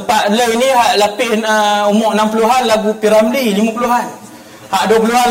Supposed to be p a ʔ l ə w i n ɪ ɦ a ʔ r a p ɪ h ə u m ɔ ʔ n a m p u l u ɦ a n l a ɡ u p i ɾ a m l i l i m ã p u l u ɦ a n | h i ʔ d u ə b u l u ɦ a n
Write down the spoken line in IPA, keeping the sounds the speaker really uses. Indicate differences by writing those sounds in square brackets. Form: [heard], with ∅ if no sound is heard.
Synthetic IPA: p a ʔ l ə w i n [i] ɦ a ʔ [l] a p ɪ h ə u m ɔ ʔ n a m p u l u ɦ a n l a ɡ u p i ɾ a m l i l i m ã p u l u ɦ a n | h [a] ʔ d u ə [p] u l u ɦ a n